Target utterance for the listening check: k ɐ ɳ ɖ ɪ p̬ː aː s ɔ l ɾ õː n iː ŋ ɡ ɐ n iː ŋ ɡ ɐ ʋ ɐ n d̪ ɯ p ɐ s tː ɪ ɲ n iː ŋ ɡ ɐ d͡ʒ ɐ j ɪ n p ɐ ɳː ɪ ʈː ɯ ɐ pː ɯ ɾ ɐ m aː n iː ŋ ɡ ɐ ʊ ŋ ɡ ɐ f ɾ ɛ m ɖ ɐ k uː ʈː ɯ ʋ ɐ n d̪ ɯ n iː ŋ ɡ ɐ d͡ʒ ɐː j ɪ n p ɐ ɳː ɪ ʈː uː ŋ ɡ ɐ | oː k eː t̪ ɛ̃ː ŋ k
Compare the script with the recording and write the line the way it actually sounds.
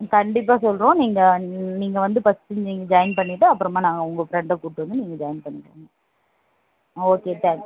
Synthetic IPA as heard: k ɐ ɳ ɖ ɪ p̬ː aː s ɔ l ɾ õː n iː ŋ ɡ ɐ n iː ŋ ɡ ɐ ʋ ɐ n d̪ ɯ p ɐ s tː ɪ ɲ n iː ŋ ɡ ɐ d͡ʒ ɐ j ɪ n p ɐ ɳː ɪ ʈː ɯ ɐ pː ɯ ɾ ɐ m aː n aː ŋ ɡ ɐ ʊ ŋ ɡ ɐ f ɾ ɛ ɳ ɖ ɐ k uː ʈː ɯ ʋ ɐ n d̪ ɯ n iː ŋ ɡ ɐ d͡ʒ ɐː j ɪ n p ɐ ɳː ɪ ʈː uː ŋ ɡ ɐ | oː k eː t̪ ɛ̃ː ŋ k